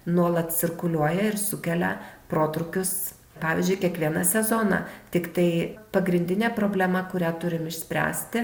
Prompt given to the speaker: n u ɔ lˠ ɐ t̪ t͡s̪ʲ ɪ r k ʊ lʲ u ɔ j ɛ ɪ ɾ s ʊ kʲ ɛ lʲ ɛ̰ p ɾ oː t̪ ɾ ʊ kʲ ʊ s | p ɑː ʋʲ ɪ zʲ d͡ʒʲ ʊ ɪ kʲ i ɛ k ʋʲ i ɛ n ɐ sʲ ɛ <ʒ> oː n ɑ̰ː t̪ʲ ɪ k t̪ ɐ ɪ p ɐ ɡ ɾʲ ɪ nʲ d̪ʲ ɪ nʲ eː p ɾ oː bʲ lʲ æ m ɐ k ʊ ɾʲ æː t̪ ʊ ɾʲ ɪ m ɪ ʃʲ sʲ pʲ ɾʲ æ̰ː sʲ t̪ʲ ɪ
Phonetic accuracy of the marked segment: incorrect: z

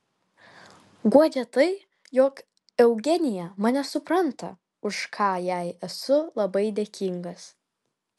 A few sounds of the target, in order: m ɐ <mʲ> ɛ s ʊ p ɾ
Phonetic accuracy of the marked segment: incorrect: nʲ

